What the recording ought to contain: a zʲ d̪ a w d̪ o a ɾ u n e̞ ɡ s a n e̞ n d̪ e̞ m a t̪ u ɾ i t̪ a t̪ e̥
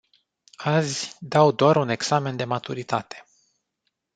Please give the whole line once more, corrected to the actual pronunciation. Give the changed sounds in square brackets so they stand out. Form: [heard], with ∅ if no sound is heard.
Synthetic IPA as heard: a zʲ d̪ a w d̪ o a ɾ u n e̞ ɡ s a [m] e̞ n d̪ e̞ m a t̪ u ɾ i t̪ a t̪ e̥